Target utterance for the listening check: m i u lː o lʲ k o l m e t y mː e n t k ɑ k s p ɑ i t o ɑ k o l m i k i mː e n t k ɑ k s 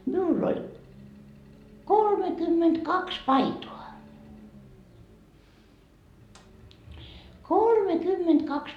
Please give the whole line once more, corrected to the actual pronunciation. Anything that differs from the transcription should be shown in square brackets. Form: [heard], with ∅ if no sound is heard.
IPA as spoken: m i u lː o lʲ k o l m e [k] y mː e n t k ɑ k s p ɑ i t o ɑ k o l m [e] k [y] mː e n t k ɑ k s